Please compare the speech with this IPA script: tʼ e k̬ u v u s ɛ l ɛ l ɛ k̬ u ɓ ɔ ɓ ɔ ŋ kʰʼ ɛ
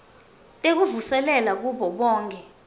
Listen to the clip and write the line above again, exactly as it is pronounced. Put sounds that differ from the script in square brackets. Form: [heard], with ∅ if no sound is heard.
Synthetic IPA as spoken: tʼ e k̬ u v u s ɛ l ɛ l [a] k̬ u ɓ ɔ ɓ [ɔː] ŋ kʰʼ ɛ